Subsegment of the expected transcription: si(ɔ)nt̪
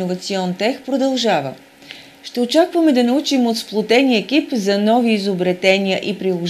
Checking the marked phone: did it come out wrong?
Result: no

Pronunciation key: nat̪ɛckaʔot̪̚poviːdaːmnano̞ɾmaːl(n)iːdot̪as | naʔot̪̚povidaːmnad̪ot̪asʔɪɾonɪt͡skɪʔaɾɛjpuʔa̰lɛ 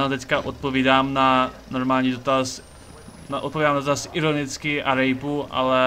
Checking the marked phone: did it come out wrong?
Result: yes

